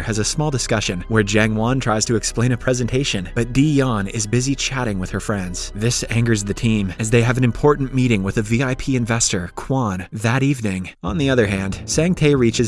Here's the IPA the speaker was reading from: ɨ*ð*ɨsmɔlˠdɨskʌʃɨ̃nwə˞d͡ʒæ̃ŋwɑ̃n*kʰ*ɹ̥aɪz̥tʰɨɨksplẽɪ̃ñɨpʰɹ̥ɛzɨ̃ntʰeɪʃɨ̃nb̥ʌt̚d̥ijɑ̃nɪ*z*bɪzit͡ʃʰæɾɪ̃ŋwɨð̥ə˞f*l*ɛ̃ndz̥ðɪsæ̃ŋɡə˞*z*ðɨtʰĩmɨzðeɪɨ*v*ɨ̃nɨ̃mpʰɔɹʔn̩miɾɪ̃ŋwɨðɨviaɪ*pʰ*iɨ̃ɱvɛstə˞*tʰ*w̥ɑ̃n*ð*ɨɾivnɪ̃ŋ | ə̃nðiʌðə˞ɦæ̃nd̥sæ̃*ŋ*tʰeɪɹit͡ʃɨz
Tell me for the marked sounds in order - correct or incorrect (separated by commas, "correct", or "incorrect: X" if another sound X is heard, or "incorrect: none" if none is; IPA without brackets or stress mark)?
incorrect: z, incorrect: tʰ, correct, incorrect: ɹ, correct, correct, correct, incorrect: kʰ, correct, correct